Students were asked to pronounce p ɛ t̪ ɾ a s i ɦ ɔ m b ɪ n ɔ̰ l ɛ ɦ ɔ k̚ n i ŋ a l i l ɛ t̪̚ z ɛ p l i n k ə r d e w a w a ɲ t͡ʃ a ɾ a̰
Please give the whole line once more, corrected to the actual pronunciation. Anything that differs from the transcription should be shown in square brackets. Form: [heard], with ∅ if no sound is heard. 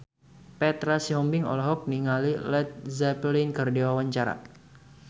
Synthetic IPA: p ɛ t̪ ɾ a s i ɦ ɔ m b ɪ [ŋ] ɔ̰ l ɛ ɦ ɔ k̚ n i ŋ a l i l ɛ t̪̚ z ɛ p l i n k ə r d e w a w a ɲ t͡ʃ a ɾ a̰